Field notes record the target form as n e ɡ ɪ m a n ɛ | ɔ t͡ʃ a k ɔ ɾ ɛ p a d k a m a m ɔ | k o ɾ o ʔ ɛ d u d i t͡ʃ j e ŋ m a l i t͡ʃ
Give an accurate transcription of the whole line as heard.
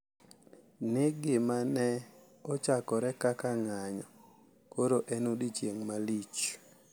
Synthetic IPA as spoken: n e ɡ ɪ m a n ɛ | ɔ t͡ʃ a k ɔ ɾ ɛ k a k a ŋ a ɲ ɔ | k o ɾ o ʔ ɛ n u d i t͡ʃ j e ŋ m a l i t͡ʃ

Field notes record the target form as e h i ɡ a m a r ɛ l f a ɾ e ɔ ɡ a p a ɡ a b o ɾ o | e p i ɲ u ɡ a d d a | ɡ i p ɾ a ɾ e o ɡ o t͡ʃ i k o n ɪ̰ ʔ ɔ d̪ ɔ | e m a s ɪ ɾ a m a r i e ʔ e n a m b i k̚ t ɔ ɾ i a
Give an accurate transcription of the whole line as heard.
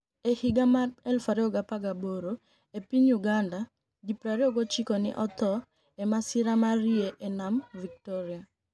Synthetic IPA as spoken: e h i ɡ a m a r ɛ l f a ɾ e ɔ ɡ a p a ɡ a b o ɾ o | e p i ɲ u ɡ a n d a | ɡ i p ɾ a ɾ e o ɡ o t͡ʃ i k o n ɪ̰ ʔ ɔ t̪ ɔ | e m a s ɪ ɾ a m a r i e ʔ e n a m v i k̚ t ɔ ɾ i a

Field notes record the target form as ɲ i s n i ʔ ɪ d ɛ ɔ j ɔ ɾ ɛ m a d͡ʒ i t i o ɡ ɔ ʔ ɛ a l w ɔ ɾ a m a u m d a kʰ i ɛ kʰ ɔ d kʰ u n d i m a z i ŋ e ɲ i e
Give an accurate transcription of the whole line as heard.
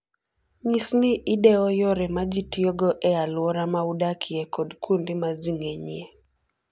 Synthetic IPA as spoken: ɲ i s n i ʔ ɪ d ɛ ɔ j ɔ ɾ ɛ m a d͡ʒ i t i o ɡ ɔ ʔ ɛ a l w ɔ ɾ a m a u d a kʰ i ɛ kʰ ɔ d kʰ u n d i m a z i ŋ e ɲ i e

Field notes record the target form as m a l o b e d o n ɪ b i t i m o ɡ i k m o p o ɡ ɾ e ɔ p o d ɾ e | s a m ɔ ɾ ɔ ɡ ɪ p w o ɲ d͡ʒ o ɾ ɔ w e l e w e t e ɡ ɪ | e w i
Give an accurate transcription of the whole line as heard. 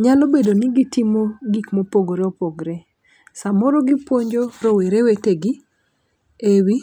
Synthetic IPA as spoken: ɲ a l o b e d o n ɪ ɡ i t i m o ɡ i k m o p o ɡ ɾ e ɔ p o ɡ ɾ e | s a m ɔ ɾ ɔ ɡ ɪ p w o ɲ d͡ʒ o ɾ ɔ w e ɾ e w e t e ɡ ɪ | e w i

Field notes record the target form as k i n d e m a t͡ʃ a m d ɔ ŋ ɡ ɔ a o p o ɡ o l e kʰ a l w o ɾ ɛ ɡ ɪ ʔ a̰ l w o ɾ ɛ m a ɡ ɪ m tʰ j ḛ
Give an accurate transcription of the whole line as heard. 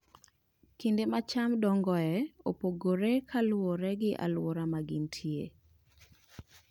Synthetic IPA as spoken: k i n d e m a t͡ʃ a m d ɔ ŋ ɡ ɔ ɛ o p o ɡ o ɾ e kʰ a l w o ɾ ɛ ɡ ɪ ʔ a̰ l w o ɾ a m a ɡ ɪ n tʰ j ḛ

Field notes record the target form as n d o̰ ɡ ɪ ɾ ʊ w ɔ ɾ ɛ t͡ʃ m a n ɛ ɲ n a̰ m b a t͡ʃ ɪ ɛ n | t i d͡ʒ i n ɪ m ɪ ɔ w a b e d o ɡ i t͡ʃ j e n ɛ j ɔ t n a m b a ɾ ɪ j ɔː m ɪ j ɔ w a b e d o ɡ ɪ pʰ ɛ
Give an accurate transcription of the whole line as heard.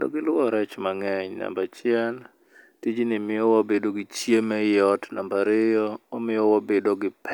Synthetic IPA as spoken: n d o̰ ɡ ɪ l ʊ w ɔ ɾ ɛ t͡ʃ m a ŋ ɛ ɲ n a̰ m b a t͡ʃ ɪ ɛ n | t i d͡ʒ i n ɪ m ɪ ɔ w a b e d o ɡ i t͡ʃ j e m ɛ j ɔ t n a m b a ɾ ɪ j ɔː m ɪ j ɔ w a b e d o ɡ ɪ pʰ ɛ

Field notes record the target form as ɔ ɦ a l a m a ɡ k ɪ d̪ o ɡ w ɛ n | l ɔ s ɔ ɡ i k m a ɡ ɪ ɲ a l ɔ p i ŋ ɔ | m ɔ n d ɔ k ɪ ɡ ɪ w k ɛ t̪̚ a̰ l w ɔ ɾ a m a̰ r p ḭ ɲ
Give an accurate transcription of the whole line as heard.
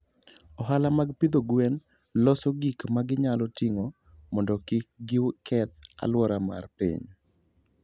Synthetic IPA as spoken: ɔ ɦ a l a m a ɡ p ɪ d̪ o ɡ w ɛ n | l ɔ s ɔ ɡ i k m a ɡ ɪ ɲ a l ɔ t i ŋ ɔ | m ɔ n d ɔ k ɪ ɡ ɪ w k ɛ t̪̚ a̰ l w ɔ ɾ a m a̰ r p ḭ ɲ

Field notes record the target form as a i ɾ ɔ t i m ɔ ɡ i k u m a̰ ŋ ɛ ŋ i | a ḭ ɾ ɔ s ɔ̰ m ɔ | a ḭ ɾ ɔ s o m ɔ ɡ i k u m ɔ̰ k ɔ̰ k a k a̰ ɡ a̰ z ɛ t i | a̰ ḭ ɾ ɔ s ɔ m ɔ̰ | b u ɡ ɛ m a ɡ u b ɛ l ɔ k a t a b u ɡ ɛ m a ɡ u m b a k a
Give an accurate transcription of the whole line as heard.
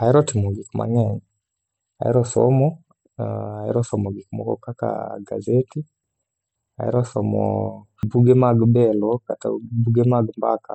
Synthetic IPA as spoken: a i ɾ ɔ t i m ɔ ɡ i k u m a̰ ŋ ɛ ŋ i | a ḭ ɾ ɔ s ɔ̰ m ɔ | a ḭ ɾ ɔ s ɔ m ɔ ɡ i k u m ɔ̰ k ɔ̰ k a k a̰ ɡ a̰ z ɛ t i | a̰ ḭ ɾ ɔ s ɔ m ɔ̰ | b u ɡ ɛ m a ɡ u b ɛ l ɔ k a t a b u ɡ ɛ m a ɡ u m b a k a

